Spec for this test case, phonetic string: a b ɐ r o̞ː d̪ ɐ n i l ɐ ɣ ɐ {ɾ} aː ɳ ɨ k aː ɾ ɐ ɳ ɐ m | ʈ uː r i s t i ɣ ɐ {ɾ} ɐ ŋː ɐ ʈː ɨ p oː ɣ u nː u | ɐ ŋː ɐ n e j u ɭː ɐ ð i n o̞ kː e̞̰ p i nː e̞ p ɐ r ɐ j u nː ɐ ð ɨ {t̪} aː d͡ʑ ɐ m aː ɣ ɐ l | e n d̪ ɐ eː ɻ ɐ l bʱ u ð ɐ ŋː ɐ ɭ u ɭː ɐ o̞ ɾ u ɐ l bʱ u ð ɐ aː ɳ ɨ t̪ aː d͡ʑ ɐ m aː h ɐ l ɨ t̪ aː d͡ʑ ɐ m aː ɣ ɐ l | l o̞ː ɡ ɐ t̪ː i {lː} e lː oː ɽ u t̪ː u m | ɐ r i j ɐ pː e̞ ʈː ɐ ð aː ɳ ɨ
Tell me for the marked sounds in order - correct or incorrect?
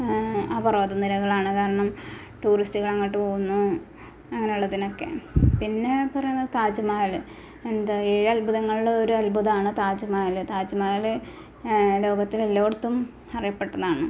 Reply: incorrect: ɭ, incorrect: ɭ, correct, incorrect: l

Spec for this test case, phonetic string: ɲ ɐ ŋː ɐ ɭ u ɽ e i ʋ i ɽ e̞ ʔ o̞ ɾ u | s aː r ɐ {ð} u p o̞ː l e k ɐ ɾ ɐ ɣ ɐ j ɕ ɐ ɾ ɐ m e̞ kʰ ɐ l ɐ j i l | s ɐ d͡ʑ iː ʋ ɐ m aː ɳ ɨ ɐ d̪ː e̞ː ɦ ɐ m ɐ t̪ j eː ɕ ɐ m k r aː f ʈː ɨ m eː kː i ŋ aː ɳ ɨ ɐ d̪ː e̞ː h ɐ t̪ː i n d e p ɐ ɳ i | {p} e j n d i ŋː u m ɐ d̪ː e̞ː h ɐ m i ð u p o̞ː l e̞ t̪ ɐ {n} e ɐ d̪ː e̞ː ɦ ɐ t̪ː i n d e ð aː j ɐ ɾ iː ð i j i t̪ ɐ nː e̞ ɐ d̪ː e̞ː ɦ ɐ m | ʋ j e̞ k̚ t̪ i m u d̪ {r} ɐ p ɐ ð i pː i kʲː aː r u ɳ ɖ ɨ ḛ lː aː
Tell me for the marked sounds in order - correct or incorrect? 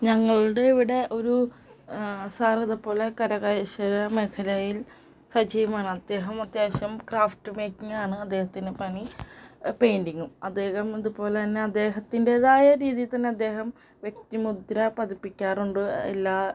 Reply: correct, correct, incorrect: nː, incorrect: ɾ

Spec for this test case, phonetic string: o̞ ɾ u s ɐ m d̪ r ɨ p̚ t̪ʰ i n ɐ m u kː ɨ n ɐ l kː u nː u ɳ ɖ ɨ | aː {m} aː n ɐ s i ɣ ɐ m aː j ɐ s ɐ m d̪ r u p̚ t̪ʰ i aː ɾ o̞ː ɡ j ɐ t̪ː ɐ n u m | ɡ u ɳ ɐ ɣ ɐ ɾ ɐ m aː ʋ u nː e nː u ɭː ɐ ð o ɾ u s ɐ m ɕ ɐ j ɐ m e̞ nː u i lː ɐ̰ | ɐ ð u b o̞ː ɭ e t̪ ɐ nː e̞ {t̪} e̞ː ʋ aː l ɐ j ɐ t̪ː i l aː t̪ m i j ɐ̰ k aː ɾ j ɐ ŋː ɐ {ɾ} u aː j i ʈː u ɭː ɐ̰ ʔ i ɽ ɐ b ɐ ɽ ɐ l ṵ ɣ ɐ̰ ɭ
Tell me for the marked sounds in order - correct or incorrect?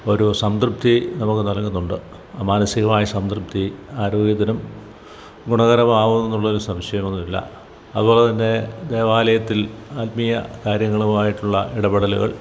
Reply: correct, incorrect: d̪, incorrect: ɭ

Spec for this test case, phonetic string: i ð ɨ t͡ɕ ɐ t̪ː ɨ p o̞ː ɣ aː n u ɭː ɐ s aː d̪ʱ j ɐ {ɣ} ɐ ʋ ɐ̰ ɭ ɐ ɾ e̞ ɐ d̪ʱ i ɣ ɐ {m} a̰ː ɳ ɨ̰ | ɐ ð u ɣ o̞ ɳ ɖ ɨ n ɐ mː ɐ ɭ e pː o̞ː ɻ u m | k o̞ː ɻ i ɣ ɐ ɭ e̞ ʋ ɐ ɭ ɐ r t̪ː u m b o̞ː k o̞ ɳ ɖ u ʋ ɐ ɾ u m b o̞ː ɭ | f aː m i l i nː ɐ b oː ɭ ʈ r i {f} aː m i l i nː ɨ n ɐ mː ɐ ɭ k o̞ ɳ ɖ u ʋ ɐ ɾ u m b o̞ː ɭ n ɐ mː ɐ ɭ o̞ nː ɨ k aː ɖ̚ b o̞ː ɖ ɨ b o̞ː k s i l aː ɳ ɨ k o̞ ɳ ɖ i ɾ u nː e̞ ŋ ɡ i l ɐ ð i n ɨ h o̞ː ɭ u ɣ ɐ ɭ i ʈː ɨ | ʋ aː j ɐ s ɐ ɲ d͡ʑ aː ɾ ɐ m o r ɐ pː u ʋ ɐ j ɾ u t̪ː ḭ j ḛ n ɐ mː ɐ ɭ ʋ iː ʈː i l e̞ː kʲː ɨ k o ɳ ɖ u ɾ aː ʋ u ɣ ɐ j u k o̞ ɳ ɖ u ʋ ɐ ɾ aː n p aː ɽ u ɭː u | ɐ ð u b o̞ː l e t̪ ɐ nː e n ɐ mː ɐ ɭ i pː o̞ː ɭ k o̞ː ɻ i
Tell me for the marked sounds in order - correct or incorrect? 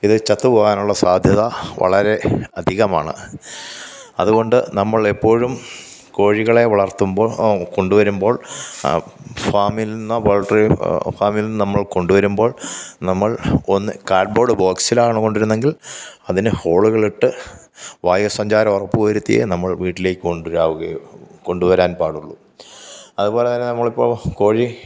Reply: incorrect: ð, correct, correct

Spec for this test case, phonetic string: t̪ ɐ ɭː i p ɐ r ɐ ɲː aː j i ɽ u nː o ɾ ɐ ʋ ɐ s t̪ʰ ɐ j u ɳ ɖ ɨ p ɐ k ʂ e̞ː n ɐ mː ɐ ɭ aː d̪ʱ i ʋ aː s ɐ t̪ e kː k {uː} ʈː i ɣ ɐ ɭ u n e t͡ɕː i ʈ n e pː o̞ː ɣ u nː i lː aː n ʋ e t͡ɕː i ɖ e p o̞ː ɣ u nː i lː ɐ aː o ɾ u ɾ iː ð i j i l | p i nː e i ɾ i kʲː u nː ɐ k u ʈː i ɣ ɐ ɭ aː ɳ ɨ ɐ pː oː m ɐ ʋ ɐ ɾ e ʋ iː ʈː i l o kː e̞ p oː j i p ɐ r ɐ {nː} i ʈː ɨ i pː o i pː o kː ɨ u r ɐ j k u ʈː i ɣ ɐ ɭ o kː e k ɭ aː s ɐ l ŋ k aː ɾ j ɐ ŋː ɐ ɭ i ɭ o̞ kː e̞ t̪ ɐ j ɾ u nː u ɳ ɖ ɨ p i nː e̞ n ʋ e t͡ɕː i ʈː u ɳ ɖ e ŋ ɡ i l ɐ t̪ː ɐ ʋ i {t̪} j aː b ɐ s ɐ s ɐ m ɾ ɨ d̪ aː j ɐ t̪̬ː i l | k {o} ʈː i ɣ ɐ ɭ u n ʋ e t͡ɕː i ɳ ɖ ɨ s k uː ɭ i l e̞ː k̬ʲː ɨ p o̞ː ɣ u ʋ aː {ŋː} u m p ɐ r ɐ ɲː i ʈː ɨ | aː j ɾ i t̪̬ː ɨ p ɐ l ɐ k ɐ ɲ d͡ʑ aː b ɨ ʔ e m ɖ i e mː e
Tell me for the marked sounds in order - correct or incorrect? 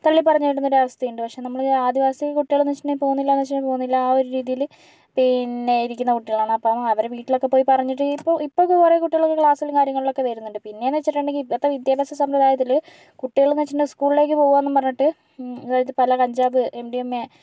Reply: incorrect: u, incorrect: ɲː, incorrect: d̪, incorrect: u, incorrect: nː

